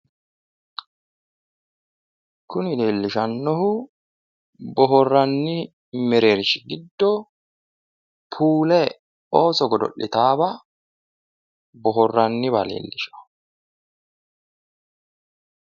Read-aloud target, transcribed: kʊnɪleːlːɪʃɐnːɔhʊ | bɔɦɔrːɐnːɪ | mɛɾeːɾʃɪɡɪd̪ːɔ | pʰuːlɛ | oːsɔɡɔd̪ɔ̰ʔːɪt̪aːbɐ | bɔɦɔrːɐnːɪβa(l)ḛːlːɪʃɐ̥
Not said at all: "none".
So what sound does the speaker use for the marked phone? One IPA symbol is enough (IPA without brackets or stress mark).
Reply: l